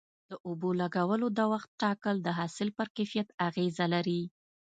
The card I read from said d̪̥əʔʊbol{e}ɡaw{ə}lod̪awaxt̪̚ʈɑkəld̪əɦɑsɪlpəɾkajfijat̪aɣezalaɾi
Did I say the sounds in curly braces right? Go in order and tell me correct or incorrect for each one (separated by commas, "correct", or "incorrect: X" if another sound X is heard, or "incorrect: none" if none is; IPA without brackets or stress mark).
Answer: incorrect: a, correct